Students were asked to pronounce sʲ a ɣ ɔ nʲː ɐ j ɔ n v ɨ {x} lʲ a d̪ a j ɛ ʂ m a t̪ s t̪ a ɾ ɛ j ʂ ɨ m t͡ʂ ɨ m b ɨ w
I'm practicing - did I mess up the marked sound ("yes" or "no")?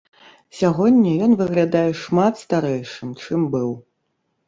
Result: yes